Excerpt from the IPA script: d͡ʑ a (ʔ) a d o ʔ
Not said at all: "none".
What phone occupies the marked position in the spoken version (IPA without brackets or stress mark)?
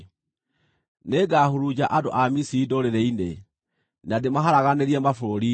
ʔ